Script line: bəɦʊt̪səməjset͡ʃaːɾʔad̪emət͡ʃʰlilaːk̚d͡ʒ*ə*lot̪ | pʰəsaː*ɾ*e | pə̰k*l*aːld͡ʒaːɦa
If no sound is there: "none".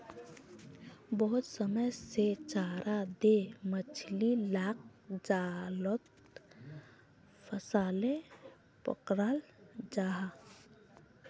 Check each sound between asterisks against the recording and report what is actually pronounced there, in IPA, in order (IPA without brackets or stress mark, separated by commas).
a, l, ɾ